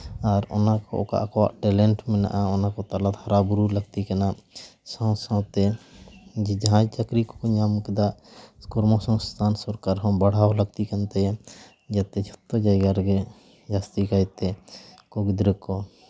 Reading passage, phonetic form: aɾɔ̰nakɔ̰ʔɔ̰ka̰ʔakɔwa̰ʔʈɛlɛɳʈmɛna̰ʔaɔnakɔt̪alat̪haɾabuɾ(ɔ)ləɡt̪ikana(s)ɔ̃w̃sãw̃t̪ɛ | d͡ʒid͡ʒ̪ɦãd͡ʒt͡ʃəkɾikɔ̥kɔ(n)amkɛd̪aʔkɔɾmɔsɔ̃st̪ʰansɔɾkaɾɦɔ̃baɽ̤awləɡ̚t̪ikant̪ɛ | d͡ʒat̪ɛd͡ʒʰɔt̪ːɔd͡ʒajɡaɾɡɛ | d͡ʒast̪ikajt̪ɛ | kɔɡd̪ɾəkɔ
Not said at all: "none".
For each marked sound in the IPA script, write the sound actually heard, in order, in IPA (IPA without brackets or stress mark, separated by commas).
u, s, ɲ